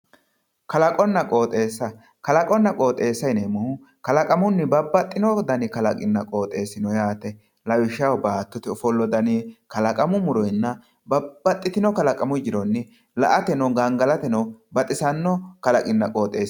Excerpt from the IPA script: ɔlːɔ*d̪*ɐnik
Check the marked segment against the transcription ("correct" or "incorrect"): correct